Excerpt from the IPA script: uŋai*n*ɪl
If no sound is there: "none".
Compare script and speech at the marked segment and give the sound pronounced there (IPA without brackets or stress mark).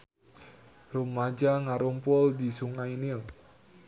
n